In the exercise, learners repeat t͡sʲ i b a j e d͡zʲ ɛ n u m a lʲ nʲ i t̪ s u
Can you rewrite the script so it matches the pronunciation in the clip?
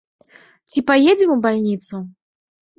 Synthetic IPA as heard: t͡sʲ i p a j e d͡zʲ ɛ m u b a lʲ nʲ i t̪ s u